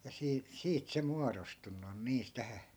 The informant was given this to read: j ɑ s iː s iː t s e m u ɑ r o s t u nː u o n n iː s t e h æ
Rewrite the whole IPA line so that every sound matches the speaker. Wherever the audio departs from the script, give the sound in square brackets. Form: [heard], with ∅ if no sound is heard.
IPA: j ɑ s iː s iː t s e m u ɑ r o s t u nː u o n n iː s t [æ] h æ